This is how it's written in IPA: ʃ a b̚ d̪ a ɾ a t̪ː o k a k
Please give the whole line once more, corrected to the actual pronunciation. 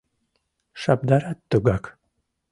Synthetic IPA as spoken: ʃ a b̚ d̪ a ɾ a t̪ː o ɡ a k